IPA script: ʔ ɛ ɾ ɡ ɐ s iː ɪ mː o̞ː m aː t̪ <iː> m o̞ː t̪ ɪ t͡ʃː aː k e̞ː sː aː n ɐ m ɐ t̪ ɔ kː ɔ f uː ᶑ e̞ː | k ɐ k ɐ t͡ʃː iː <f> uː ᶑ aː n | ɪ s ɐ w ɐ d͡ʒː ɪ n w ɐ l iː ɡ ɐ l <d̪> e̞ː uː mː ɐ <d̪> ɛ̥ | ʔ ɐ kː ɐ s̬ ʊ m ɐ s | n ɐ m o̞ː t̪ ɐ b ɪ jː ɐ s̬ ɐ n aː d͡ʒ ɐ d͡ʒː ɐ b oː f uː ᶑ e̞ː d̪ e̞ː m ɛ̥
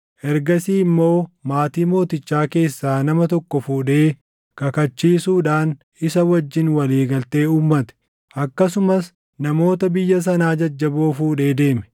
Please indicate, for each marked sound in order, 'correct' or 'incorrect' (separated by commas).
correct, incorrect, incorrect, incorrect